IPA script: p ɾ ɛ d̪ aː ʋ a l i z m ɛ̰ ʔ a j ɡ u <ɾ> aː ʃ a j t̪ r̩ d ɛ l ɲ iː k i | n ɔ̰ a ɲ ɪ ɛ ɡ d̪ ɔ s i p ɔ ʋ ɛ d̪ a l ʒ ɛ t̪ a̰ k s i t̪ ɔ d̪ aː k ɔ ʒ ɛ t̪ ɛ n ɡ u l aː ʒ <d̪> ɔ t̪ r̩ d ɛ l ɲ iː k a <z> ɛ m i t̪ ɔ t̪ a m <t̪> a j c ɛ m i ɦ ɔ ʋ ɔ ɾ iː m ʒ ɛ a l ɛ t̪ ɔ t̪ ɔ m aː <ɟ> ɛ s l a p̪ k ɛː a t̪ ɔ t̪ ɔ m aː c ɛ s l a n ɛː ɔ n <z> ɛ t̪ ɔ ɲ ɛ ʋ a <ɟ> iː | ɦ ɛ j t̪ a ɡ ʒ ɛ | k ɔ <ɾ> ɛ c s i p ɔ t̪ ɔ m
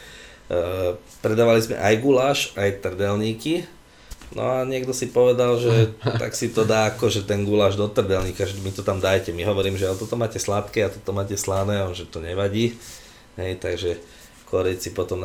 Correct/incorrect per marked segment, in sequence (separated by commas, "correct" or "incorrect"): incorrect, correct, incorrect, incorrect, incorrect, incorrect, correct, correct